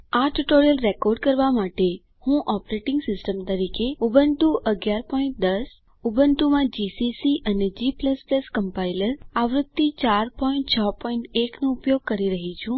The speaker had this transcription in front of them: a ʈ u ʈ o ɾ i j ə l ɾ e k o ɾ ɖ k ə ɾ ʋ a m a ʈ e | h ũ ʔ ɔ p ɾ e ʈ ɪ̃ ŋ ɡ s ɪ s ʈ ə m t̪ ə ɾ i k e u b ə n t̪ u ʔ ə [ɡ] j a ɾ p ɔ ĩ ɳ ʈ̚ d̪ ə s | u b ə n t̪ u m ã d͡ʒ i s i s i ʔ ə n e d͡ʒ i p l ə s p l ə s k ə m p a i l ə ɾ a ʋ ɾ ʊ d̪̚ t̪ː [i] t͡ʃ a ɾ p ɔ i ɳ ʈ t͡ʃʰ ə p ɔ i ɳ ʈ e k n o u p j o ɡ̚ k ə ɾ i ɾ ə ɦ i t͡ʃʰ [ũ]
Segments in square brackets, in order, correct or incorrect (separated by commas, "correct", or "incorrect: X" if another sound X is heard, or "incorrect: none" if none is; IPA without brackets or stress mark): correct, correct, correct